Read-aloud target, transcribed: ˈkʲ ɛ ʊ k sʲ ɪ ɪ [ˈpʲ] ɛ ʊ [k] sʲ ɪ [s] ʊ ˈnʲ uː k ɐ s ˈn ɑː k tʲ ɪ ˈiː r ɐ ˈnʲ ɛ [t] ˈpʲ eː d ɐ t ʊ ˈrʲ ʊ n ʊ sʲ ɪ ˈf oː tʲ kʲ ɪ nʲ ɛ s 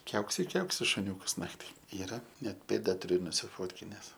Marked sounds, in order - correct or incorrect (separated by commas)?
incorrect, correct, incorrect, correct